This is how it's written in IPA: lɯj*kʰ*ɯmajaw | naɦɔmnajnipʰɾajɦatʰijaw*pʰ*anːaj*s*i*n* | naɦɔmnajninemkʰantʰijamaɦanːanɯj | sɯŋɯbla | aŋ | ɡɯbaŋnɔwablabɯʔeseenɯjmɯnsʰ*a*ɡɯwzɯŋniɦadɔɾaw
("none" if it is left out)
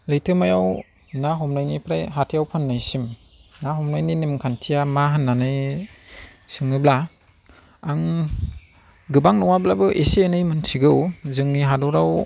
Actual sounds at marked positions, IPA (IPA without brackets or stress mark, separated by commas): tʰ, pʰ, s, m, i